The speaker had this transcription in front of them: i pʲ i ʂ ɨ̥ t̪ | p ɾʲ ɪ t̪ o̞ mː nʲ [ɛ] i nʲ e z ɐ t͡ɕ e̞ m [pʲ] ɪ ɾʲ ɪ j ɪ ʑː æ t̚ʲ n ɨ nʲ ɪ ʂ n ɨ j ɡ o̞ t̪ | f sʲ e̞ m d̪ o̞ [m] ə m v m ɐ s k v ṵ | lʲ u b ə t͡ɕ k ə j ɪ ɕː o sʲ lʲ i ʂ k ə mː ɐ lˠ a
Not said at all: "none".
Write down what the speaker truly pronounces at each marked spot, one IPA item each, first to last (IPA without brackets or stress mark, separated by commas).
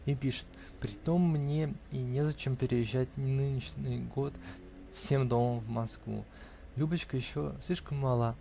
e, pʲ, m